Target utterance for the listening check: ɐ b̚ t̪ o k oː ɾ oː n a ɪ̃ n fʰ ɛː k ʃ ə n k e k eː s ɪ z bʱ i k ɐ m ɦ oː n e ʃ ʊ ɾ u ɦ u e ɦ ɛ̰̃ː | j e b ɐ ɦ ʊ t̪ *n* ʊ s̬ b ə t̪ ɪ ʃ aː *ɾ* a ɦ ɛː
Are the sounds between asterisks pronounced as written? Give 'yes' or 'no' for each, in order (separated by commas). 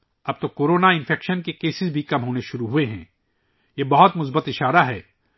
no, yes